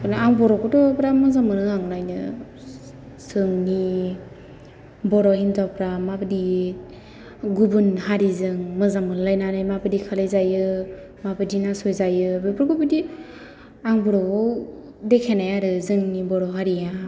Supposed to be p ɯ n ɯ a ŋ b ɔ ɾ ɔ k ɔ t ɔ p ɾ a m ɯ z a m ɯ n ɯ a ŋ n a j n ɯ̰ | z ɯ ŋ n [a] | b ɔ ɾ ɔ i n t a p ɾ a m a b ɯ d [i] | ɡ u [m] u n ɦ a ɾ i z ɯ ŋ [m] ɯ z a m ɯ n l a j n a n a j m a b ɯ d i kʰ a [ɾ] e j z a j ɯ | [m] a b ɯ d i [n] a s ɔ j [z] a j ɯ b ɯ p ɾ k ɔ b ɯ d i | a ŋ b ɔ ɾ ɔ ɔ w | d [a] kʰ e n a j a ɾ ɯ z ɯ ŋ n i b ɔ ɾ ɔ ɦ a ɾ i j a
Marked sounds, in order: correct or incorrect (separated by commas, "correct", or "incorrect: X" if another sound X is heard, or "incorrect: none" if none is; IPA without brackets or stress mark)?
incorrect: i, correct, incorrect: b, correct, incorrect: l, correct, correct, correct, incorrect: e